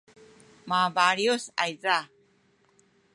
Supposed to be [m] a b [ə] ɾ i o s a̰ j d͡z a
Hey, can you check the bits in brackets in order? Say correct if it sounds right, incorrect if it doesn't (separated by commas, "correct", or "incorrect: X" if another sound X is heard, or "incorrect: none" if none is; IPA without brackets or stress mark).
correct, incorrect: a